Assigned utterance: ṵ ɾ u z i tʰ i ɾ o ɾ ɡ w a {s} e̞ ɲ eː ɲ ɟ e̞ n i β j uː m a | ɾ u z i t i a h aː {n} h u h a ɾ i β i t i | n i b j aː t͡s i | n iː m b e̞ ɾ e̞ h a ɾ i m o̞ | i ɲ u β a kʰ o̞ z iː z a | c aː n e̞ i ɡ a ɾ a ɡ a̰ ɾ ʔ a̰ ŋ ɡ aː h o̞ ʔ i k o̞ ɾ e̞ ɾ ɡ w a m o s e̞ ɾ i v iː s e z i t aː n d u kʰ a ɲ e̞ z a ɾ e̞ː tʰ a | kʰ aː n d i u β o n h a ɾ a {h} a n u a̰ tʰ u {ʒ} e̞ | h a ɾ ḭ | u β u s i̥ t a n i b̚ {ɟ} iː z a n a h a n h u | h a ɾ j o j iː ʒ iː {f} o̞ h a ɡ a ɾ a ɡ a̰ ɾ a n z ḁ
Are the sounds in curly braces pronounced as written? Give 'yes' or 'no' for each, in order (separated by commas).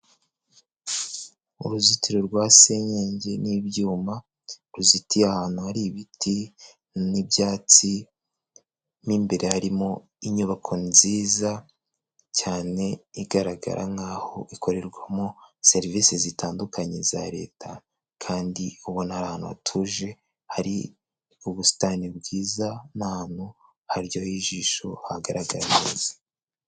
yes, yes, yes, yes, no, no